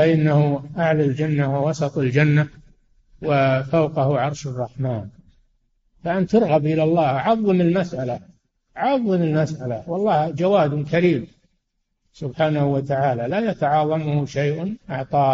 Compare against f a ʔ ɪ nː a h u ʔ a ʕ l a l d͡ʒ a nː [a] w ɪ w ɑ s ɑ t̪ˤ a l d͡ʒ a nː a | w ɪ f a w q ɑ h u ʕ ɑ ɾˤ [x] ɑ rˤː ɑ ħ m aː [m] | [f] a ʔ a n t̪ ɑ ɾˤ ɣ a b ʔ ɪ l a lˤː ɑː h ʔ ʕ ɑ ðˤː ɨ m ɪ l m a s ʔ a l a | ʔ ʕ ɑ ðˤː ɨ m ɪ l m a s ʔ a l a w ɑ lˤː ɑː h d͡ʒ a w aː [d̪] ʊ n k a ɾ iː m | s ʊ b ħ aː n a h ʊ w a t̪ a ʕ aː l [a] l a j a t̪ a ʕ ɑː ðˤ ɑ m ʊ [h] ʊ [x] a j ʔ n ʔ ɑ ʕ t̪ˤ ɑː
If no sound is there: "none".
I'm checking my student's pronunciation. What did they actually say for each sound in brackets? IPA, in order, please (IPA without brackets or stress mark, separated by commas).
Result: a, ʃ, n, f, d̪, a, h, ʃ